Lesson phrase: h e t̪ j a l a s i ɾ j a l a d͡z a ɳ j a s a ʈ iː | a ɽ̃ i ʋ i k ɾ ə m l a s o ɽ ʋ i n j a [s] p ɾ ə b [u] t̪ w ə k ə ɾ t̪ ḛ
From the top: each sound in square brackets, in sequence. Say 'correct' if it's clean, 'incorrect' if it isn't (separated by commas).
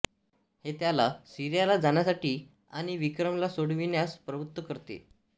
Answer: correct, correct